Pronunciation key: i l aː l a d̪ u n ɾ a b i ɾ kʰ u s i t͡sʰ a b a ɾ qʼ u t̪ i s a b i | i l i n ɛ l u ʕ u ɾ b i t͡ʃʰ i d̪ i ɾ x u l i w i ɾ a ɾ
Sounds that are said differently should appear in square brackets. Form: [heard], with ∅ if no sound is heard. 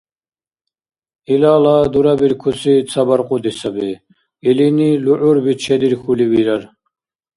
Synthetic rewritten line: i l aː l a d̪ u [∅] ɾ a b i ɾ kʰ u s i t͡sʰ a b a ɾ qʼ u [d̪] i s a b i | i l i n [i] l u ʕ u ɾ b i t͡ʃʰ [ɛ] d̪ i ɾ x u l i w i ɾ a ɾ